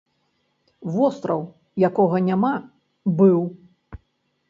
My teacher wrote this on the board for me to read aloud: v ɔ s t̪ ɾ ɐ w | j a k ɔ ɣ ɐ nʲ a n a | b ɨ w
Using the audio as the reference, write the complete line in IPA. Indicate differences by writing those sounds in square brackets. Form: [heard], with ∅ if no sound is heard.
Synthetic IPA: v ɔ s t̪ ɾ ɐ w | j a k ɔ ɣ ɐ nʲ a [m] a | b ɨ w